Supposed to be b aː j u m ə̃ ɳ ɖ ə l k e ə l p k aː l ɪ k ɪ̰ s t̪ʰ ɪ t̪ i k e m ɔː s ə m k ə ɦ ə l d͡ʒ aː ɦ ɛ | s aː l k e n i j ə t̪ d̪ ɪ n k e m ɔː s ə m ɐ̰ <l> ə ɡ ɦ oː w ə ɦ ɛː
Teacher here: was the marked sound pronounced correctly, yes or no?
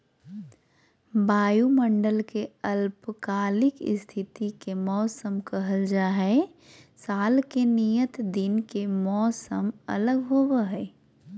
yes